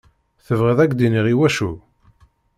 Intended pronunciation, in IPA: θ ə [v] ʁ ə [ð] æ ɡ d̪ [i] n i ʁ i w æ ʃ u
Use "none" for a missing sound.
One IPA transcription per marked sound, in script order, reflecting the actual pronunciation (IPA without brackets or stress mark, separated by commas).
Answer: v, ð, i